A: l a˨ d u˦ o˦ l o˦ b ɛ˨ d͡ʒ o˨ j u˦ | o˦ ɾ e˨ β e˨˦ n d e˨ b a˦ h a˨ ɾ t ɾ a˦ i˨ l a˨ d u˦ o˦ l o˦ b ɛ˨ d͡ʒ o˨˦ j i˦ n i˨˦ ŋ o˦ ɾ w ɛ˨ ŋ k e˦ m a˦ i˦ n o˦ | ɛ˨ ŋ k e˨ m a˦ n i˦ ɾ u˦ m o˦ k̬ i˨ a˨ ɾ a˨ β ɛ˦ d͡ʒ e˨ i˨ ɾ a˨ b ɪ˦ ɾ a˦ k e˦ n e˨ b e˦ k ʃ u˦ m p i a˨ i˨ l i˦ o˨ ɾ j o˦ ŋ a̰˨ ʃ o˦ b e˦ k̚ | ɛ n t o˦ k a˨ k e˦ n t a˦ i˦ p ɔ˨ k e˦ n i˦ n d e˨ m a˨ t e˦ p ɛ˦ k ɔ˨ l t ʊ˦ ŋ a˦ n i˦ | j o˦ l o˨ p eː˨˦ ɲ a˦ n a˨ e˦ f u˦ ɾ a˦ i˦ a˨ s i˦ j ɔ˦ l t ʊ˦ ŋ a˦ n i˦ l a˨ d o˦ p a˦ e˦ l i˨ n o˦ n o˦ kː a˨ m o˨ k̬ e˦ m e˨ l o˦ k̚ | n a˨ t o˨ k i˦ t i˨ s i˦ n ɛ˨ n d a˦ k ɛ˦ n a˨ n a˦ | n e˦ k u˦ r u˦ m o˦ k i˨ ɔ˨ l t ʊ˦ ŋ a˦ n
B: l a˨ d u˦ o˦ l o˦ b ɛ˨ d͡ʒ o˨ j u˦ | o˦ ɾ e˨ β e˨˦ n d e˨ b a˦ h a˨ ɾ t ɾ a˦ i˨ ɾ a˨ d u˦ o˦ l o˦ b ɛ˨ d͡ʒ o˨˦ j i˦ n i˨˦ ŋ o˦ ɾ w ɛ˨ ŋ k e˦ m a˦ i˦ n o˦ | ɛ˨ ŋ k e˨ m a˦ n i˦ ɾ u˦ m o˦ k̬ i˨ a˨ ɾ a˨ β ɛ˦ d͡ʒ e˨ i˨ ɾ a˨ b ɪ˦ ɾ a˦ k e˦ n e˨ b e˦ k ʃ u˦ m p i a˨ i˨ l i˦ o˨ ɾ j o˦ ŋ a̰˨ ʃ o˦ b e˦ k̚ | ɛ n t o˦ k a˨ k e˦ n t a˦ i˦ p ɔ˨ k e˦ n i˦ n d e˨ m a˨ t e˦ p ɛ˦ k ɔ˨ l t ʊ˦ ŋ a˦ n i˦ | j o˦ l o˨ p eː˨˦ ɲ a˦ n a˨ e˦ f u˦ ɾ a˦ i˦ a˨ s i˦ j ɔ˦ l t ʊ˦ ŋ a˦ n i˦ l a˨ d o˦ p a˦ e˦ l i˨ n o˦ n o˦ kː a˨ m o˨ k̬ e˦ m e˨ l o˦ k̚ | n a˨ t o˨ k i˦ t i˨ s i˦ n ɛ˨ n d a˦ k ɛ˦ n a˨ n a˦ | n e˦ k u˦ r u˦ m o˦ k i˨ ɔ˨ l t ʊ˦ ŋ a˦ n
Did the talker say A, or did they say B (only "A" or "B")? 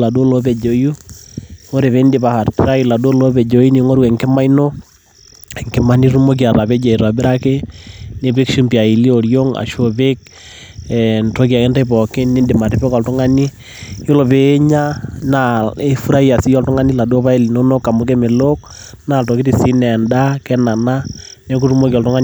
A